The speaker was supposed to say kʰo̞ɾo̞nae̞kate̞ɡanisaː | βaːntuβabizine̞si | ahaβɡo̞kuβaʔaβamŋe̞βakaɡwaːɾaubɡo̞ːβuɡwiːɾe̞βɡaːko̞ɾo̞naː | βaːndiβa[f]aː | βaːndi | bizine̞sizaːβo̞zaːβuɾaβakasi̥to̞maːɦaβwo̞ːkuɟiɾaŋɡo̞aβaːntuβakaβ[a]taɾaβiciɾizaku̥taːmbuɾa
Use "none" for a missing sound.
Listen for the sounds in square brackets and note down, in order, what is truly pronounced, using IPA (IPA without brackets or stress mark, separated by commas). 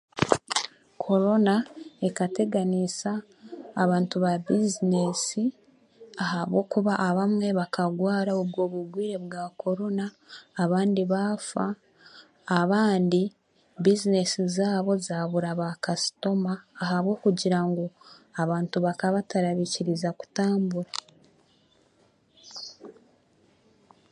f, a